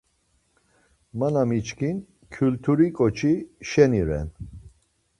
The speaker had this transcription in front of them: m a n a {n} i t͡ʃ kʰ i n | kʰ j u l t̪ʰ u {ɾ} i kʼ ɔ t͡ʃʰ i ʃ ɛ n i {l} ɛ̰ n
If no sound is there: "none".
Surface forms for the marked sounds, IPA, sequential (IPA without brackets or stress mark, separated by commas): m, ɾ, ɾ